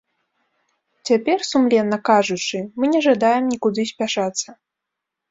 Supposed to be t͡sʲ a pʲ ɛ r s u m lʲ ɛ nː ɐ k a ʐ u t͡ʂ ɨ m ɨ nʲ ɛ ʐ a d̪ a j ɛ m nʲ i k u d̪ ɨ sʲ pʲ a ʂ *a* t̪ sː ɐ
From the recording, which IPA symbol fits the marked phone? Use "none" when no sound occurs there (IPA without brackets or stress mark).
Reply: a